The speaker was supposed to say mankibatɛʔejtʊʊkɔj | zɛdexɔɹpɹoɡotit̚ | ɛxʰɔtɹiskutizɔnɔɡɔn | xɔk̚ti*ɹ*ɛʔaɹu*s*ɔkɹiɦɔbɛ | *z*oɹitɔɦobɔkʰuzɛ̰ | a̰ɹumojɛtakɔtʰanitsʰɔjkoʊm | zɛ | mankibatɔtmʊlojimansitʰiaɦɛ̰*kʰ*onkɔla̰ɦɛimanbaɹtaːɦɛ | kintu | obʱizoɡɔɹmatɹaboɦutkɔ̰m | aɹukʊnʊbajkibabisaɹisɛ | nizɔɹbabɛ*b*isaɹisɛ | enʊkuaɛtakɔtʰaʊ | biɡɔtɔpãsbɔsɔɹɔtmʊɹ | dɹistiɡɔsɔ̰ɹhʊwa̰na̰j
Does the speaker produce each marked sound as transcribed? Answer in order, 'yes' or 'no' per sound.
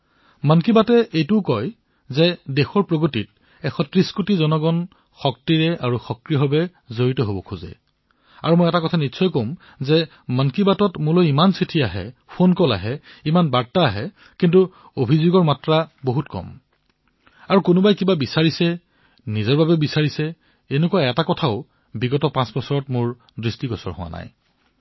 yes, no, yes, no, yes

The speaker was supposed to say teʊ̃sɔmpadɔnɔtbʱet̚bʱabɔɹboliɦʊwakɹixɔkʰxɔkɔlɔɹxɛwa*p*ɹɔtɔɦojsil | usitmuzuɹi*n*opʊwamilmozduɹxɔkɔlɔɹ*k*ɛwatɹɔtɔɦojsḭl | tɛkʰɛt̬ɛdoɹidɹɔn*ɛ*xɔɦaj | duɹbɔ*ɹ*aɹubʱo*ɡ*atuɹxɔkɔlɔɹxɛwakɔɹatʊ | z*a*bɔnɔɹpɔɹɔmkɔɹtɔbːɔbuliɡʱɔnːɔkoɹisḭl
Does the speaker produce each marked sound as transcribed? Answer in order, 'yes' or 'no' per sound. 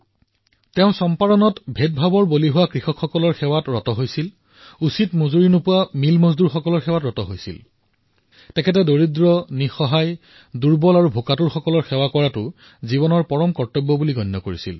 no, yes, no, no, no, no, no

